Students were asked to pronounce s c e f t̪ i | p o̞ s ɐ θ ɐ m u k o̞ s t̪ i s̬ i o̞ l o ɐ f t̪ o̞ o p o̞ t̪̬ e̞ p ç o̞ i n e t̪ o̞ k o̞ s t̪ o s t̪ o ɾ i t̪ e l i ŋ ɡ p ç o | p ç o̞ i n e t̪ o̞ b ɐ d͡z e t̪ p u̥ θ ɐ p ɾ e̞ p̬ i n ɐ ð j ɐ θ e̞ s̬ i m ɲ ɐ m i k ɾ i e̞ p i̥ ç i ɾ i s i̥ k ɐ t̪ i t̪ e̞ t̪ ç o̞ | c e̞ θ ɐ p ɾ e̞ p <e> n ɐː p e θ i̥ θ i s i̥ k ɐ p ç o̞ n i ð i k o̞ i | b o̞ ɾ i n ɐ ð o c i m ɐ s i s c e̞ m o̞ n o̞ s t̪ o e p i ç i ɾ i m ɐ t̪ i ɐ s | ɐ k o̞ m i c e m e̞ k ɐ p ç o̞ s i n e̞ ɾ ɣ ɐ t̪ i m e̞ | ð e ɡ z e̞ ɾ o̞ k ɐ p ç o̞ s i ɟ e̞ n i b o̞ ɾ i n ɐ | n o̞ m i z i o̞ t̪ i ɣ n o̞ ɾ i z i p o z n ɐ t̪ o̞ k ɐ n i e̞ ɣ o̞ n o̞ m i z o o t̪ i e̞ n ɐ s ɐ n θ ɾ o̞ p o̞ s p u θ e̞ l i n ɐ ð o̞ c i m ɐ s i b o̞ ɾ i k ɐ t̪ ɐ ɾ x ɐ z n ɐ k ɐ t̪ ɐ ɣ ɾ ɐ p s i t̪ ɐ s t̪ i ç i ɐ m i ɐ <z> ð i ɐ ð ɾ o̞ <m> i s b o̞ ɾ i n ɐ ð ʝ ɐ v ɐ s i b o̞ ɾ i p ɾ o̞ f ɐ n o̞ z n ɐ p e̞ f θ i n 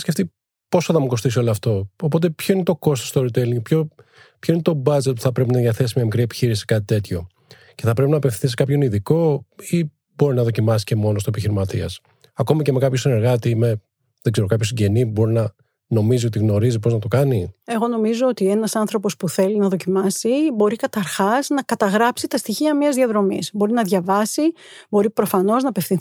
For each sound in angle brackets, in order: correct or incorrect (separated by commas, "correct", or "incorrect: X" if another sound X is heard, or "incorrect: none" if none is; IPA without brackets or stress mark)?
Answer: incorrect: i, correct, correct